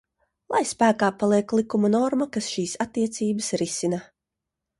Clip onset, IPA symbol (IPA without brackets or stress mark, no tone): lˠ